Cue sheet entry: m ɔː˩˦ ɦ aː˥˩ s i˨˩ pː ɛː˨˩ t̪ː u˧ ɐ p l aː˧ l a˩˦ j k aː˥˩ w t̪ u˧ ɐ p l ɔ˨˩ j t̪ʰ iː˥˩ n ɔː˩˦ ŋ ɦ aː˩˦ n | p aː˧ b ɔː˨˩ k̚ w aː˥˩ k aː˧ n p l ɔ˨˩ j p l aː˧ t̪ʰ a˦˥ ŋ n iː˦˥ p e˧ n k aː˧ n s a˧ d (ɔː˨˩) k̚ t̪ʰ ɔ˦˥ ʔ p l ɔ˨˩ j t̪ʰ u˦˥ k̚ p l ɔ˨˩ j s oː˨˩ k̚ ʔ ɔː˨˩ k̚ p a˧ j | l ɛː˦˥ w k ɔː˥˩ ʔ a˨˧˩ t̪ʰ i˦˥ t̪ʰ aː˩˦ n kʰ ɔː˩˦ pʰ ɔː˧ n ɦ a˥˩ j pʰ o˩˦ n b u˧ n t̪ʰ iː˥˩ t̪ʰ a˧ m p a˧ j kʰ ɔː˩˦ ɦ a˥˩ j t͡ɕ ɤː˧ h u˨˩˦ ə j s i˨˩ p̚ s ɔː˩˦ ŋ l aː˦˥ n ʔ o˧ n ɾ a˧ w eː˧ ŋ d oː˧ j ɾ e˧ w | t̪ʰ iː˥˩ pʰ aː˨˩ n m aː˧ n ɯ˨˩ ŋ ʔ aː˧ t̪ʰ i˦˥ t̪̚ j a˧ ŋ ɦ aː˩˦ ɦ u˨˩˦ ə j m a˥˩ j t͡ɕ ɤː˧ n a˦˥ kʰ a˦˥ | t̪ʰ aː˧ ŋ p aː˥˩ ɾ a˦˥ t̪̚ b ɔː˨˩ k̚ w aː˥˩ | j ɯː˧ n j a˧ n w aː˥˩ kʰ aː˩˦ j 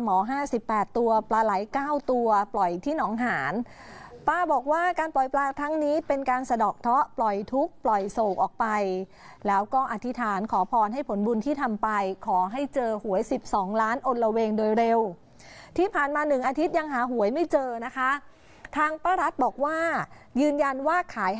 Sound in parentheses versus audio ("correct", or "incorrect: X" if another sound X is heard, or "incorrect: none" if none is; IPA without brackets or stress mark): correct